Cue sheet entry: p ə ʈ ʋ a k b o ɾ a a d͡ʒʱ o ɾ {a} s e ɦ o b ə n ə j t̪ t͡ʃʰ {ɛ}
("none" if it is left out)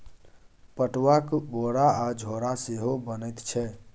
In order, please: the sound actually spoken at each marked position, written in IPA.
a, ɛ

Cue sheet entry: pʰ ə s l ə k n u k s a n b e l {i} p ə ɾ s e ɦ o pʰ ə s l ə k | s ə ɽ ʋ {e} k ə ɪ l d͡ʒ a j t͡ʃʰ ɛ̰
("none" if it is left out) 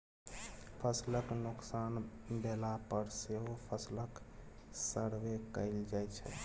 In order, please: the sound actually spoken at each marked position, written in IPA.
a, e

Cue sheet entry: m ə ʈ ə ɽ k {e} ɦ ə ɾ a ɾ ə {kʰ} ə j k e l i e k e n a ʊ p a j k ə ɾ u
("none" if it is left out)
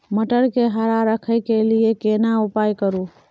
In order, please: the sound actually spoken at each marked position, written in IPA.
e, kʰ

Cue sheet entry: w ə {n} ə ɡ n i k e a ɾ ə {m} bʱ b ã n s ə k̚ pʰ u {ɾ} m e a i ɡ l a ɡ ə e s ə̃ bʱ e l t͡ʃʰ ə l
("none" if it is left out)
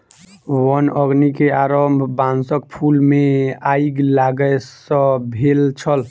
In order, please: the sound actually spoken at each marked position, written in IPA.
n, m, l

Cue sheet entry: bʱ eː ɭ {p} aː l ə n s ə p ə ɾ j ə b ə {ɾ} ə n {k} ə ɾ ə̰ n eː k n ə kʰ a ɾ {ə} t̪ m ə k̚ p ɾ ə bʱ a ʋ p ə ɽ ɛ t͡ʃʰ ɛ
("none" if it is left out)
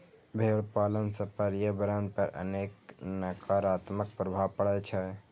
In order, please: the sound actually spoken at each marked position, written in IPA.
p, ɾ, p, a

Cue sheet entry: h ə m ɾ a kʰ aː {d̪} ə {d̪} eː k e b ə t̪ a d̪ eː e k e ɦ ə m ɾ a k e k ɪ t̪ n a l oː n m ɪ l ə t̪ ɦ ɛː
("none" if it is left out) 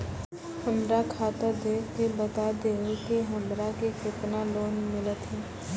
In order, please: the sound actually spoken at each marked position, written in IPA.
t̪, d̪

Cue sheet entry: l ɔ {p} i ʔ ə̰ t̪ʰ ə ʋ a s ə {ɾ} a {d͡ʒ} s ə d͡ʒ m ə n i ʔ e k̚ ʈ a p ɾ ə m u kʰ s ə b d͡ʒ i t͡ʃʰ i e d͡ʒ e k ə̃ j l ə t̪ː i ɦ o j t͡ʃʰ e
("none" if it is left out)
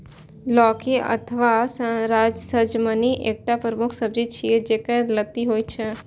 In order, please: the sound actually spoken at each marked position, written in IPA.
k, ɾ, d͡ʒ

